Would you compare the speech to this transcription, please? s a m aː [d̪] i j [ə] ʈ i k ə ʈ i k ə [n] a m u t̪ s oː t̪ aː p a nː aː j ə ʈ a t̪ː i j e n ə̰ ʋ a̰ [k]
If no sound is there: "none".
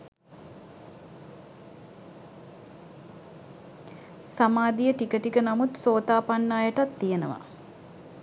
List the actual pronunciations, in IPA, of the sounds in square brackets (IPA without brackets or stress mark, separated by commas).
d̪, ə, n, none